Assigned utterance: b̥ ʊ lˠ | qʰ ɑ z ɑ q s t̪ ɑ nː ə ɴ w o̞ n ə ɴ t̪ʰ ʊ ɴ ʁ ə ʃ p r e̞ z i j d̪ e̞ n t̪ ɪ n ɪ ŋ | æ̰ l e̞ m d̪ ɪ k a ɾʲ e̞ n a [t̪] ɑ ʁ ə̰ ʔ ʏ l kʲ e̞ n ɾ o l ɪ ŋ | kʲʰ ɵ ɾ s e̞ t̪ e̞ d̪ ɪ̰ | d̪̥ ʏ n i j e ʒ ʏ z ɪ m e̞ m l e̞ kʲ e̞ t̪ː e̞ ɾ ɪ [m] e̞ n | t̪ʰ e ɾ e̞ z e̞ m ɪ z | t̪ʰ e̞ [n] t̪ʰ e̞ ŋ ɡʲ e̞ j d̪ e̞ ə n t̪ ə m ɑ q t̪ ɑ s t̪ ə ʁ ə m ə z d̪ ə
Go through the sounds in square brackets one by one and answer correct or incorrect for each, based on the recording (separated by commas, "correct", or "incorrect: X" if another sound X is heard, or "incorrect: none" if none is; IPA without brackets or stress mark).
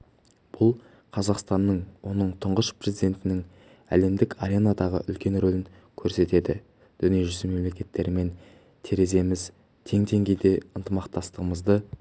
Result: incorrect: d̪, correct, incorrect: ŋ